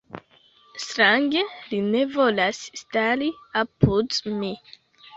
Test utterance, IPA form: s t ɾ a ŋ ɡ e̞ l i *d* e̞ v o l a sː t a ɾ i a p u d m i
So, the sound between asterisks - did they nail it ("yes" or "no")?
no